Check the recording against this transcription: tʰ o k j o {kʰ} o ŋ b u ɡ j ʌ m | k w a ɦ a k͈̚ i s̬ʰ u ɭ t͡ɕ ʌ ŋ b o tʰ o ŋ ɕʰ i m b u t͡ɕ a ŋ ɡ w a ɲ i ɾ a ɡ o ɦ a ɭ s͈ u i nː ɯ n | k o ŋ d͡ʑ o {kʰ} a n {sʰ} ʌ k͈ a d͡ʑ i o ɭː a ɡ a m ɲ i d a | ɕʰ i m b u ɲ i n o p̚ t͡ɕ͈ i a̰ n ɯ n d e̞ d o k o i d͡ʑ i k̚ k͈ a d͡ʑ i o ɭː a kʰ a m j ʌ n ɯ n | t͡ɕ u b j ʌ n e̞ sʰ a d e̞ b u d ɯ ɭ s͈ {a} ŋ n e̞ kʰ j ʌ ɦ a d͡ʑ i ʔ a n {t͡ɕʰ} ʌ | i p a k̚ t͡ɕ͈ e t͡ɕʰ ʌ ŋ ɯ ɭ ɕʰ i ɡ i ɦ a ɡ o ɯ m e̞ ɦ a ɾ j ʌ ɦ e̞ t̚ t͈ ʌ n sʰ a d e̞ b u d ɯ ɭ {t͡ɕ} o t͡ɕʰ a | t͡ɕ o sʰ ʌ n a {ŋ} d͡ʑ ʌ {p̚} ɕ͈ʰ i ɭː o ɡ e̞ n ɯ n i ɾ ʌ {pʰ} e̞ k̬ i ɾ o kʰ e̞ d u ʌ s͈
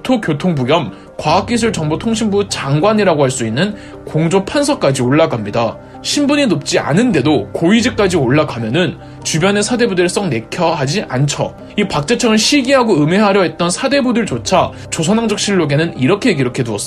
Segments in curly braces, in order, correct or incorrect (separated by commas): incorrect, incorrect, correct, incorrect, correct, correct, correct, incorrect, incorrect